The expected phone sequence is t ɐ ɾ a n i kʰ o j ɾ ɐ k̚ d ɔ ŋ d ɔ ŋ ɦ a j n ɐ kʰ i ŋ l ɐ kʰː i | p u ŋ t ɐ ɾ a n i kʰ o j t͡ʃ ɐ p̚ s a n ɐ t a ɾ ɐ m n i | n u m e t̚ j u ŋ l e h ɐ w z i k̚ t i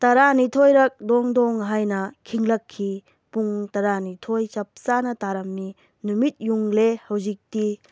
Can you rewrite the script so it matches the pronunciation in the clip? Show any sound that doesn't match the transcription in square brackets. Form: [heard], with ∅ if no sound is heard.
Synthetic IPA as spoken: t ɐ ɾ a n i [tʰ] o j ɾ ɐ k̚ d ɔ ŋ d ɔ ŋ ɦ a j n ɐ kʰ i ŋ l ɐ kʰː i | p u ŋ t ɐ ɾ a n i [tʰ] o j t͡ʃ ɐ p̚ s a n ɐ t a ɾ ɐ m n i | n u m [i] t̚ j u ŋ l e h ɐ w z i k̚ t i